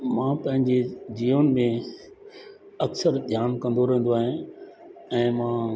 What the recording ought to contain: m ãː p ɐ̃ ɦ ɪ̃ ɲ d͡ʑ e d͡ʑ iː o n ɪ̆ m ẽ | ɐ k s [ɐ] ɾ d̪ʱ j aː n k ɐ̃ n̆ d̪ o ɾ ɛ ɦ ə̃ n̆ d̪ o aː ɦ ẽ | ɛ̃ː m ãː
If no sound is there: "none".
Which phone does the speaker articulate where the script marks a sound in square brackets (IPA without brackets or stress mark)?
ə